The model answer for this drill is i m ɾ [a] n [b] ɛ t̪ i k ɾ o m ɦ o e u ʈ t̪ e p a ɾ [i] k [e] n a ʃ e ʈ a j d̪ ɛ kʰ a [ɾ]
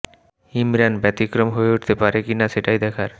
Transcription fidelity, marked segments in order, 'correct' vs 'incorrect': correct, correct, incorrect: e, incorrect: i, correct

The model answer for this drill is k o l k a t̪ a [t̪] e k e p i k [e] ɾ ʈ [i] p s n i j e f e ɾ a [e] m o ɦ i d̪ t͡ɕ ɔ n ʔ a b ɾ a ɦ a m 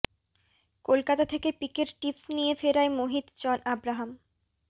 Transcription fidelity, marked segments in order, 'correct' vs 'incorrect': incorrect: t̪ʰ, correct, correct, correct

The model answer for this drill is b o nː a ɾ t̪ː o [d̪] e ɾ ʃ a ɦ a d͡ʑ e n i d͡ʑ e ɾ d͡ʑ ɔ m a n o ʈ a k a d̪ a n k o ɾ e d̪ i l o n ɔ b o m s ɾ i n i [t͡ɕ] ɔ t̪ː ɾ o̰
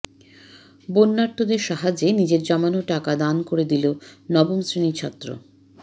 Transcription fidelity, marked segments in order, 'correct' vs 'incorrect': correct, incorrect: t͡ɕʰ

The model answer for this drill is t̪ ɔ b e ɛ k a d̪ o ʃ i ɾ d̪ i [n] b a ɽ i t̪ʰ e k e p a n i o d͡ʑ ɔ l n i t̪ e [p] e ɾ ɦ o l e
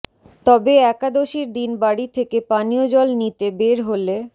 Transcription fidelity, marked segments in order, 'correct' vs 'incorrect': correct, incorrect: b

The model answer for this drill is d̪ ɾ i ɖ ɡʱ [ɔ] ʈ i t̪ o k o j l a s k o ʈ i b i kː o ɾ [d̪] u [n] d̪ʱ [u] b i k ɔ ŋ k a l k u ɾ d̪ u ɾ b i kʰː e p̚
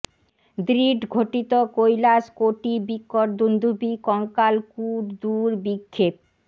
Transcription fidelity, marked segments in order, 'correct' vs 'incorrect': incorrect: o, correct, correct, correct

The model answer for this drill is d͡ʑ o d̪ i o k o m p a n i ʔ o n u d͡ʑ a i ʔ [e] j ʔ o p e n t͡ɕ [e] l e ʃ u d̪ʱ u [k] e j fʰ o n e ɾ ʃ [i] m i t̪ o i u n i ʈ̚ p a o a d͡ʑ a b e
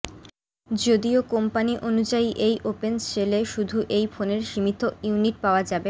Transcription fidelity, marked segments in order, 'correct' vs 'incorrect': correct, correct, incorrect: ʔ, correct

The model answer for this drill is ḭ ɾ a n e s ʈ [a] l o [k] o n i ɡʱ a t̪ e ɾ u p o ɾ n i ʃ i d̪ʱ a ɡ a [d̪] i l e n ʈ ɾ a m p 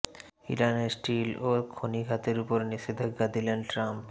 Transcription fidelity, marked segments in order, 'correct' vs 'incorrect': incorrect: i, incorrect: kʰ, correct

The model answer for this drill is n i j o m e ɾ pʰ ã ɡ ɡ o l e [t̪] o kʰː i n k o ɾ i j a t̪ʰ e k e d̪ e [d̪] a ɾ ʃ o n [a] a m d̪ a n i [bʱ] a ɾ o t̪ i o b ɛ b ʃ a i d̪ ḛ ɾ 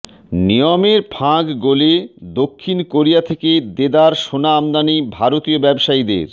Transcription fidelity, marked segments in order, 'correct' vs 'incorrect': incorrect: d̪, correct, correct, correct

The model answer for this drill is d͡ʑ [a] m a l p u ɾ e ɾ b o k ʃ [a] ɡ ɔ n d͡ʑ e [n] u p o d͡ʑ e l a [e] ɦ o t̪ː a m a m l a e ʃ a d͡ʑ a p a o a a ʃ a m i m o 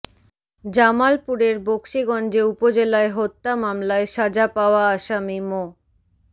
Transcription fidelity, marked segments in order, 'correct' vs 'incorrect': correct, incorrect: i, incorrect: none, correct

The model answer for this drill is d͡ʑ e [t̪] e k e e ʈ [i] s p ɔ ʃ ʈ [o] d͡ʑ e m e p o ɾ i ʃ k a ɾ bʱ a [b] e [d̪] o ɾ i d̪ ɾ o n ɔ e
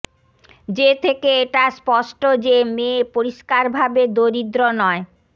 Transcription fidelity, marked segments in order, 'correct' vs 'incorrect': incorrect: t̪ʰ, incorrect: a, correct, correct, correct

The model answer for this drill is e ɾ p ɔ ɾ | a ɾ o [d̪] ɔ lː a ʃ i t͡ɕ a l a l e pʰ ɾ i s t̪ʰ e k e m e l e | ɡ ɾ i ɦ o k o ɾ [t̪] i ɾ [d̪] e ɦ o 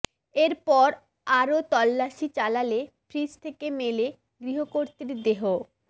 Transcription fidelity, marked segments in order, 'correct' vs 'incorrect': incorrect: t̪, correct, correct

